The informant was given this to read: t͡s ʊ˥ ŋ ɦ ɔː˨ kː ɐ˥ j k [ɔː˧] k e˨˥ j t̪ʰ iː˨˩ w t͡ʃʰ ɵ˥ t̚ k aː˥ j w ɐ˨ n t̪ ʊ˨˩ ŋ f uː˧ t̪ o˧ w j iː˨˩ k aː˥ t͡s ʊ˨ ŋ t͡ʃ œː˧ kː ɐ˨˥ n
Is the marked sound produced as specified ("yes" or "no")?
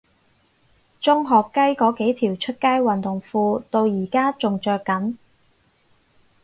no